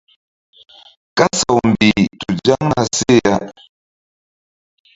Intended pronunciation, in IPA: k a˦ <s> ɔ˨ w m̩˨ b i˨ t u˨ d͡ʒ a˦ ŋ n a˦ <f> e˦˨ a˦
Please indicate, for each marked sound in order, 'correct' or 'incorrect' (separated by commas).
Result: correct, incorrect